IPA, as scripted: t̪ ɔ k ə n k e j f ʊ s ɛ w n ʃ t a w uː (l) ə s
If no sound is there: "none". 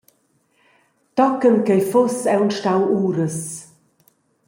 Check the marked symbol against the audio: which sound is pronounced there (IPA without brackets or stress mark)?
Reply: ɾ